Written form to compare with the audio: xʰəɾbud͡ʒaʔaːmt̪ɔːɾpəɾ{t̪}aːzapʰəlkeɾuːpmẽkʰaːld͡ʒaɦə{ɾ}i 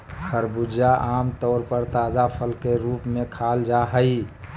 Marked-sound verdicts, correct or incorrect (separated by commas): correct, incorrect